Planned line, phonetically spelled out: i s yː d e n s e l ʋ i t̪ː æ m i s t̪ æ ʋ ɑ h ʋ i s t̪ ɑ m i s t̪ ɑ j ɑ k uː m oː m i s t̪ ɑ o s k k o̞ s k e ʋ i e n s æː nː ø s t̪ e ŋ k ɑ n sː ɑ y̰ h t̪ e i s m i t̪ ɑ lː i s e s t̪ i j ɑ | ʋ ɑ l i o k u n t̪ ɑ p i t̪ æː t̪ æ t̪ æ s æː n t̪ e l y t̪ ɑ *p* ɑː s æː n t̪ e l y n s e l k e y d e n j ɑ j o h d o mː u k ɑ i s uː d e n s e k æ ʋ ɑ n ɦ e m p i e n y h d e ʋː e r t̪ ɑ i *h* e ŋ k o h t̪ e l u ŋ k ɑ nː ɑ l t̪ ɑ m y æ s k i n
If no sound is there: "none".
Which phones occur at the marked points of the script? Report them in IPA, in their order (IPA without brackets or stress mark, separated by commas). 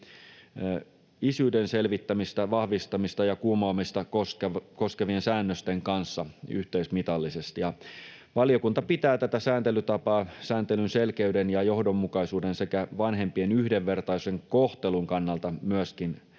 p, s